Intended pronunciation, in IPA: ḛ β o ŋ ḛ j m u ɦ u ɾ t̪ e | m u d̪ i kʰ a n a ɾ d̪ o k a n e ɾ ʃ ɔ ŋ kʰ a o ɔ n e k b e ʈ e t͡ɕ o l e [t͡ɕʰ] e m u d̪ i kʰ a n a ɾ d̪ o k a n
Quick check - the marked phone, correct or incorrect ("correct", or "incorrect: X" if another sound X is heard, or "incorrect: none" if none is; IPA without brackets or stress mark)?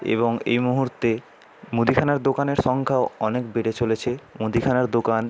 correct